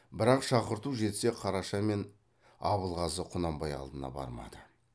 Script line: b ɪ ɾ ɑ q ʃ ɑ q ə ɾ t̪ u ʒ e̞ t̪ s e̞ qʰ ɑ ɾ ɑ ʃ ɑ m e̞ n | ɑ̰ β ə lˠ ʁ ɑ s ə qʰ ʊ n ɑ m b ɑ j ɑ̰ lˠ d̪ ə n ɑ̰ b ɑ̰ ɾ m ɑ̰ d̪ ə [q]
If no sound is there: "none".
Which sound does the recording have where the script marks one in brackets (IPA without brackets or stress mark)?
none